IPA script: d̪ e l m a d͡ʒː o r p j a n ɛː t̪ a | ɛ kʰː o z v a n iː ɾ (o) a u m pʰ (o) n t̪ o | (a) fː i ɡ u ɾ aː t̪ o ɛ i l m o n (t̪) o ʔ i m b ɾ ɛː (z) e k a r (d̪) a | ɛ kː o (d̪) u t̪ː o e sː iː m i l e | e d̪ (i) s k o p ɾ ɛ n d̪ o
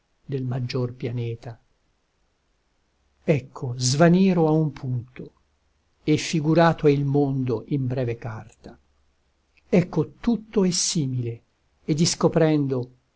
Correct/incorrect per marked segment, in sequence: correct, incorrect: u, incorrect: e, incorrect: d̪, incorrect: v, incorrect: t̪, incorrect: t̪, correct

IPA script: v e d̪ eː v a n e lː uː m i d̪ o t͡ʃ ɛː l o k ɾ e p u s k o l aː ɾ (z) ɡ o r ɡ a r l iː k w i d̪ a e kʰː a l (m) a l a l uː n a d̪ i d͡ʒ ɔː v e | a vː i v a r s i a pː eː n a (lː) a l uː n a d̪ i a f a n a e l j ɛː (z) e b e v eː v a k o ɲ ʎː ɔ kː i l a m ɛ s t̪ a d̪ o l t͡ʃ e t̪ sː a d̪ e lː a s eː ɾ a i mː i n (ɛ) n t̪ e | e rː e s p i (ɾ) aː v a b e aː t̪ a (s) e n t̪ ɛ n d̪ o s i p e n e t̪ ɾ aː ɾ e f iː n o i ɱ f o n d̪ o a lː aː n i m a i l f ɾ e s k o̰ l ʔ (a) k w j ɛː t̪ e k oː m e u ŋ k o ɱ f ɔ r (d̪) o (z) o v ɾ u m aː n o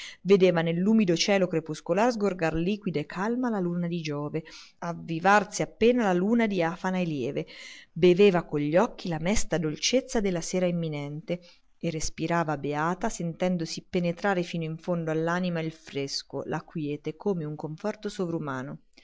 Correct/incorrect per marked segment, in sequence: correct, correct, incorrect: l, incorrect: v, correct, correct, correct, correct, incorrect: t̪, incorrect: s

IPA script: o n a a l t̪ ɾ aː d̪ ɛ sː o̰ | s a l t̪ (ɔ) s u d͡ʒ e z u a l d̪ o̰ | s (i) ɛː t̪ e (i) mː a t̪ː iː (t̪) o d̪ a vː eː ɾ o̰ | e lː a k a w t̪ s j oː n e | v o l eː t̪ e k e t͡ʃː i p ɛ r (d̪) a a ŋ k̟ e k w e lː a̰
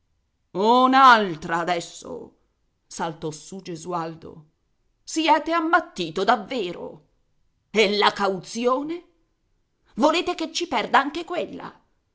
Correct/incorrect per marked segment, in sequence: correct, correct, incorrect: a, correct, correct

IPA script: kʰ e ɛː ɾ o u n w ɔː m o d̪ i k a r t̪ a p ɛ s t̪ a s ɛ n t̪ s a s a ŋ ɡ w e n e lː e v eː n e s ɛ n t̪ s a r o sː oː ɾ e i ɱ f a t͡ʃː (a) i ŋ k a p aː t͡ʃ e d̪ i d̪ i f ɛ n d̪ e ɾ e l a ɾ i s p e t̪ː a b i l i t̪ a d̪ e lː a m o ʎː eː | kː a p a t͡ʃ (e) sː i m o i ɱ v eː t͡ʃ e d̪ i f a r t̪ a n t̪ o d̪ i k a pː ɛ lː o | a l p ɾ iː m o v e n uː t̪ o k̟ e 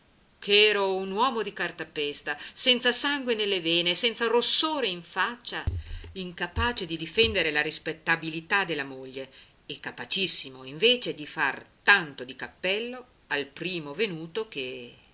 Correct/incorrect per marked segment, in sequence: correct, incorrect: i

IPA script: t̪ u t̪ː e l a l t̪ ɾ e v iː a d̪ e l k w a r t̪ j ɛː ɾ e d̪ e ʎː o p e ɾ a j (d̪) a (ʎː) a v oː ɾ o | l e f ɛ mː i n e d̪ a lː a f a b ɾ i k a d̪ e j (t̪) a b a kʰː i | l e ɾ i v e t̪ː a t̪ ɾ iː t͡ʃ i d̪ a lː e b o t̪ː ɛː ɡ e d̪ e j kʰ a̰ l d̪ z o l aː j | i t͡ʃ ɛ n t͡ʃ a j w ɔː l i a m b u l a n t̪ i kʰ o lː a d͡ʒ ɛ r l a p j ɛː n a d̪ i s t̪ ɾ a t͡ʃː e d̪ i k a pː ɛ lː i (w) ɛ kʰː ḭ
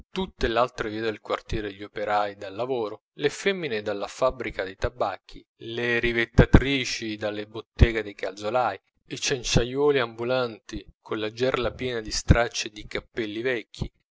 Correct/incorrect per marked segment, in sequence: correct, incorrect: lː, correct, incorrect: v

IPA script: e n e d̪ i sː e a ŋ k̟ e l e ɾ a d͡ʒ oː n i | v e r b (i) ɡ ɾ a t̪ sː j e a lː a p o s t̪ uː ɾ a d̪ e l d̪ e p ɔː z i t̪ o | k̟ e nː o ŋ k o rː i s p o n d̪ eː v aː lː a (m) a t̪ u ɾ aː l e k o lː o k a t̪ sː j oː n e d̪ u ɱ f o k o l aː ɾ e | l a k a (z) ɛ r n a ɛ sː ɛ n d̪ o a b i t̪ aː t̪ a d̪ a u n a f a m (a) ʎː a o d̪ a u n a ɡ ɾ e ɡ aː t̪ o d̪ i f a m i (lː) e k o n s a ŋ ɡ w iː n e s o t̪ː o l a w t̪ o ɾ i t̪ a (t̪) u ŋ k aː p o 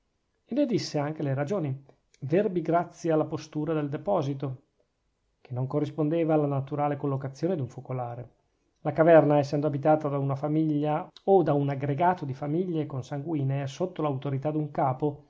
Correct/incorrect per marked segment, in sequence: correct, incorrect: n, incorrect: v, incorrect: i, incorrect: ʎː, incorrect: d̪

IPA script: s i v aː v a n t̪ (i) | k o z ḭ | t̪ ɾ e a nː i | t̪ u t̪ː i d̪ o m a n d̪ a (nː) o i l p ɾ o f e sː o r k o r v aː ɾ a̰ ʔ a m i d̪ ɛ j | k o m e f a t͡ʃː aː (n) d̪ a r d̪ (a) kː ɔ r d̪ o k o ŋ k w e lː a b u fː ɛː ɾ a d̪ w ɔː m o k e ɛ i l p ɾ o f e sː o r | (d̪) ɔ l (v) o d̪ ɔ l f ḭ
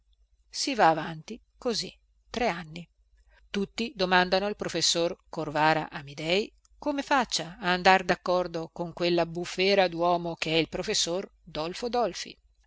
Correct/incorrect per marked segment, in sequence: correct, incorrect: n, correct, correct, correct, incorrect: f

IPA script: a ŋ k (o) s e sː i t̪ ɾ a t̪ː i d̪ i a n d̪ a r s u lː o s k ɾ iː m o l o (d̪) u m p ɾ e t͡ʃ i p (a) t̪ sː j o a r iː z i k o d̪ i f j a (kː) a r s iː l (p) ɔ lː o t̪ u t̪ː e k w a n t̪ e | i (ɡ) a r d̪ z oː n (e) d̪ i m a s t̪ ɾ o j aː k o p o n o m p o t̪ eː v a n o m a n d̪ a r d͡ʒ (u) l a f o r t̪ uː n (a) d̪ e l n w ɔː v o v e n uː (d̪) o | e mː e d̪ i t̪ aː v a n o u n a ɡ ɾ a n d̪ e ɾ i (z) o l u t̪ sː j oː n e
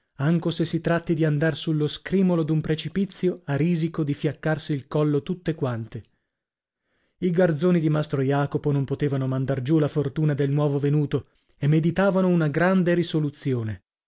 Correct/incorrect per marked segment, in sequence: correct, correct, incorrect: i, correct, incorrect: k, correct, incorrect: i, correct, correct, incorrect: t̪, incorrect: s

